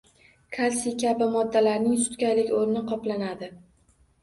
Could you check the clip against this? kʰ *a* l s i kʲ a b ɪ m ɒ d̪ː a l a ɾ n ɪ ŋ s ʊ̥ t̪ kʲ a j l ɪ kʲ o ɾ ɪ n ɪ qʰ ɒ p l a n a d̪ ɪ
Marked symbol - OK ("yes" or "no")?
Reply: yes